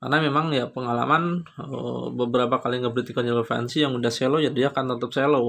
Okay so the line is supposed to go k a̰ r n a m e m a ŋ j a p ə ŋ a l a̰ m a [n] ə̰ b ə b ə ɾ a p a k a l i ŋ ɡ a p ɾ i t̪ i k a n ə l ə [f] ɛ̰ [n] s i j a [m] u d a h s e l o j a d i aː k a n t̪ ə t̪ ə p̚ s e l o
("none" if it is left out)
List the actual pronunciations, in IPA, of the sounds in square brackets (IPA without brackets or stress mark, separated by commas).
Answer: n, f, n, ŋ